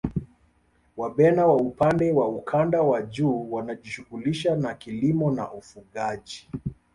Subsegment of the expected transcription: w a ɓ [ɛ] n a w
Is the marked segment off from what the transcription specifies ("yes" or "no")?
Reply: no